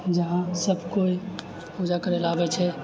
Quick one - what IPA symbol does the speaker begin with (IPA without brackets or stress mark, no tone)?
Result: d͡ʒ